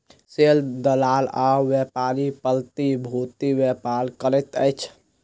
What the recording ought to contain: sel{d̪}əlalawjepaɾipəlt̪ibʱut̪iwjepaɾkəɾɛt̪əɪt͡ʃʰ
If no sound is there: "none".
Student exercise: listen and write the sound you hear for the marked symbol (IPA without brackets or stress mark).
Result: d̪